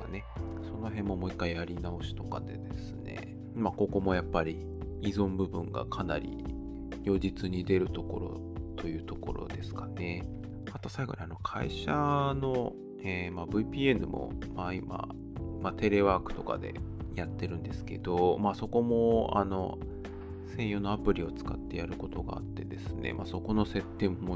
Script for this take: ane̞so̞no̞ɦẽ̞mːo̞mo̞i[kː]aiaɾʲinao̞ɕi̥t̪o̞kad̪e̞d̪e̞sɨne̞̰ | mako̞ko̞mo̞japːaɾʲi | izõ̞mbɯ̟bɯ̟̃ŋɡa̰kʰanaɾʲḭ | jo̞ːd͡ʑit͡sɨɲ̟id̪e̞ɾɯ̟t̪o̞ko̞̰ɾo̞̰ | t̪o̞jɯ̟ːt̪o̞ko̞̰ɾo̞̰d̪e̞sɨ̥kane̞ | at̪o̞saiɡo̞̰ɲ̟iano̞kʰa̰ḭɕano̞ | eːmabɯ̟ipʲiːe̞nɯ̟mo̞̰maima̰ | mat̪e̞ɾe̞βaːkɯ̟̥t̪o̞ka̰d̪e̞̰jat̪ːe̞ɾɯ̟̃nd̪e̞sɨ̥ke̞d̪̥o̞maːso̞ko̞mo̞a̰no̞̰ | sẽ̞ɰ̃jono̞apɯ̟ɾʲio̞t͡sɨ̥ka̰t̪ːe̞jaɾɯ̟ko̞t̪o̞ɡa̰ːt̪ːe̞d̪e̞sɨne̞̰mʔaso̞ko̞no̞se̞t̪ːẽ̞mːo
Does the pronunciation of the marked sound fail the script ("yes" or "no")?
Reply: no